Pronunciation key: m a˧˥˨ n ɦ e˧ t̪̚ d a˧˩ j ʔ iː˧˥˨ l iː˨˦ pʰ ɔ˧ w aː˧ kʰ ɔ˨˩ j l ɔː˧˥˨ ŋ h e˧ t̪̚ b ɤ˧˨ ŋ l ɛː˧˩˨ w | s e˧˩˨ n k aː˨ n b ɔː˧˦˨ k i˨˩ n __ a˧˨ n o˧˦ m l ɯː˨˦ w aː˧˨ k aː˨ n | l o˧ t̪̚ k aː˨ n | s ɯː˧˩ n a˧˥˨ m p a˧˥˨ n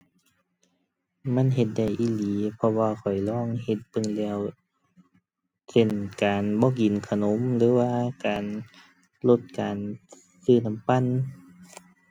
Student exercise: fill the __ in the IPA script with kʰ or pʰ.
kʰ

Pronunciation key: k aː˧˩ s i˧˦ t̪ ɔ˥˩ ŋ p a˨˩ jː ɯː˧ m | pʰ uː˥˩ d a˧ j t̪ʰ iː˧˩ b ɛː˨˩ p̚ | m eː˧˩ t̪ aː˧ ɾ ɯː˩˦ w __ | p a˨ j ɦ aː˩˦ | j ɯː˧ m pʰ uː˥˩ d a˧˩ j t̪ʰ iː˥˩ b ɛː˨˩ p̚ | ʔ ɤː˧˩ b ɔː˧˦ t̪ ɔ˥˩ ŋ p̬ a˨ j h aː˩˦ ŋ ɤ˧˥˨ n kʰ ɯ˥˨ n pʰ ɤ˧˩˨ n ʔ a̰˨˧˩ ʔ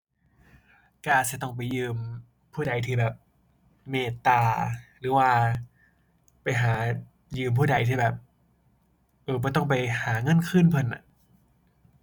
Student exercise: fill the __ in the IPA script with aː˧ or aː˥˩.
aː˧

